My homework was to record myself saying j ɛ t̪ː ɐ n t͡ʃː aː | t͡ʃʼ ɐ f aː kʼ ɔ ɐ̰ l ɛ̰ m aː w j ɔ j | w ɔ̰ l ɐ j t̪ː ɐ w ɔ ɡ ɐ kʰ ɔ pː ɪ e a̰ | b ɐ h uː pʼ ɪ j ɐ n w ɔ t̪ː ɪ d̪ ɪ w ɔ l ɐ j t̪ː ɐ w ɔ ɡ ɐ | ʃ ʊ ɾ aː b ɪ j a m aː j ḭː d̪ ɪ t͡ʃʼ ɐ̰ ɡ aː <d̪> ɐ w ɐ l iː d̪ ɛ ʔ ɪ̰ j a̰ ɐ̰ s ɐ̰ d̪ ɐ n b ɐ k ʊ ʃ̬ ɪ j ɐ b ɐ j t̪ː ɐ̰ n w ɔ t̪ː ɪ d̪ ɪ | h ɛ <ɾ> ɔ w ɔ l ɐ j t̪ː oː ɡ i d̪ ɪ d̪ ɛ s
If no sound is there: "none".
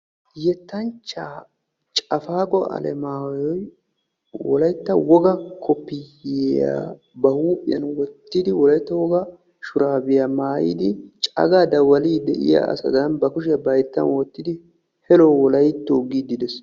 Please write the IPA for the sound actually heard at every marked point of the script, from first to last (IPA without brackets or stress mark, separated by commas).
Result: d̪, l